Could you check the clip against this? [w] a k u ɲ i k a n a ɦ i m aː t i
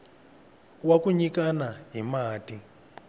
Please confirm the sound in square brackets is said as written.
yes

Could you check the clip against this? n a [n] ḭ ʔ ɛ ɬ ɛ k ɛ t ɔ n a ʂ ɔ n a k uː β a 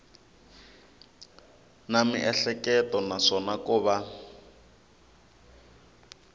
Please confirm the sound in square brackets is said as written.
no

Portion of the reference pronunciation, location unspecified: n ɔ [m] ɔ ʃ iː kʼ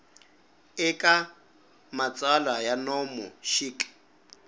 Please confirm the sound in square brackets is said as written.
yes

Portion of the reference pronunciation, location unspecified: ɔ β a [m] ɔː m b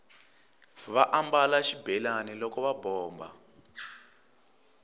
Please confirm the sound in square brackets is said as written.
no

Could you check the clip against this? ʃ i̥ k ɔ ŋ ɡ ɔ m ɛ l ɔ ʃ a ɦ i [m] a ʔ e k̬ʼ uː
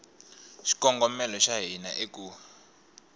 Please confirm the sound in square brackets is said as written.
no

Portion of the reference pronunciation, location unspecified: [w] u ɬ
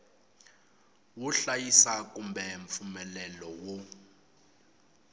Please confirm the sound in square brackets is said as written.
yes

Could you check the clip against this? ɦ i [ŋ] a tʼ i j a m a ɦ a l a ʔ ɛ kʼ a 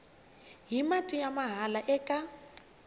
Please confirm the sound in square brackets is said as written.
no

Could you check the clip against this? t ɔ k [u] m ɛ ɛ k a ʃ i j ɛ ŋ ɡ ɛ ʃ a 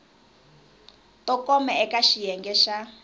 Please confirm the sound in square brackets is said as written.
no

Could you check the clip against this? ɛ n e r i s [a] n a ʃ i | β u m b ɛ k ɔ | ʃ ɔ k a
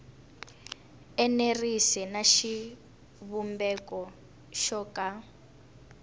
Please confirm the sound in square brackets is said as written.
no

